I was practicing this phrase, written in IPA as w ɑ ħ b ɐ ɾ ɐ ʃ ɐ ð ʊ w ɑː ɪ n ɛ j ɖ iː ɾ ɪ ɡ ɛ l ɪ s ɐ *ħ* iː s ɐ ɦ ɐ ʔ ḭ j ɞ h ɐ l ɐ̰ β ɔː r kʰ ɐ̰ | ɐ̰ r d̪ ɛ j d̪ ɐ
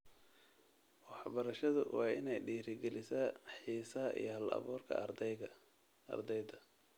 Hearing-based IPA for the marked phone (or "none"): ħ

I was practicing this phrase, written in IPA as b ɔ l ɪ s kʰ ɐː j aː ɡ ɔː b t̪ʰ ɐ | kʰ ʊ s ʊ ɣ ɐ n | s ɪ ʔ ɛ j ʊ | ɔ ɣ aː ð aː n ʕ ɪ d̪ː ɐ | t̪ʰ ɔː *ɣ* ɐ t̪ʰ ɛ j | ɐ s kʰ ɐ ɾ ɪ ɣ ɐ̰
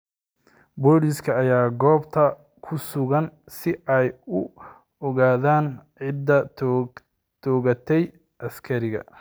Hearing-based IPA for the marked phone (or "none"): ɣ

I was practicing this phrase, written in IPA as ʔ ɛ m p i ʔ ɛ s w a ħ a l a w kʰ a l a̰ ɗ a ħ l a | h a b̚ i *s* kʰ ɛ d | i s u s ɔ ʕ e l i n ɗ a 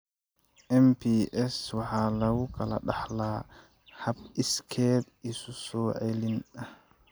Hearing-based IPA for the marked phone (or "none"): s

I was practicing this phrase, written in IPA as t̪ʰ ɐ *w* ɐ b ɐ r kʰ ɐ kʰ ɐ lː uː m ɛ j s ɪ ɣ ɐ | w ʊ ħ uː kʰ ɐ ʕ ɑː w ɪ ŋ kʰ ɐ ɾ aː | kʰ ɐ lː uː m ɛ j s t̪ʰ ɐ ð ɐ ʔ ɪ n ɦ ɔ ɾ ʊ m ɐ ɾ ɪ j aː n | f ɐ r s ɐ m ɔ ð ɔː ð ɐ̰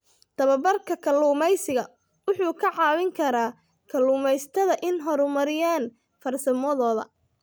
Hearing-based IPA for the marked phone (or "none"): β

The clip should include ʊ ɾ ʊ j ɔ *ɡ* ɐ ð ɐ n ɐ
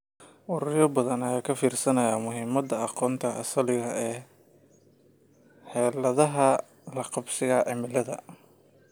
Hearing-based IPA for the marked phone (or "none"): b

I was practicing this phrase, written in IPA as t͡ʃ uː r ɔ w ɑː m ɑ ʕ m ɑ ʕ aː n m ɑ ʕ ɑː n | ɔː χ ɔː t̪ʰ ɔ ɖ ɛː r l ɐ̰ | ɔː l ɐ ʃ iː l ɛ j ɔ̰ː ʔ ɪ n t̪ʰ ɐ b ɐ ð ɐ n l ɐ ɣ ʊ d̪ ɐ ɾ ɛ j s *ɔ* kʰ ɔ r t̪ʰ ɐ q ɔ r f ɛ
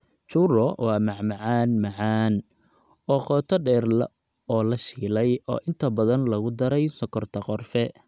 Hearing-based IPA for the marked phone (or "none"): ɔ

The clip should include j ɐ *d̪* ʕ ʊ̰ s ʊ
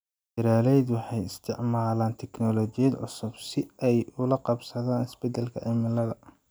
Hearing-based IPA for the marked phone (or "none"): d̪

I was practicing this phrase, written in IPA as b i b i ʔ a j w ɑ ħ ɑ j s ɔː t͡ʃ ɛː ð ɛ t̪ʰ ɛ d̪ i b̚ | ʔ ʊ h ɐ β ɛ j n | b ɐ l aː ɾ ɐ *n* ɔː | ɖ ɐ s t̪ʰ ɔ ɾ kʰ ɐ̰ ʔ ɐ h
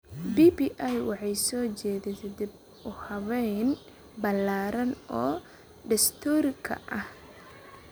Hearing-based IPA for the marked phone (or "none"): n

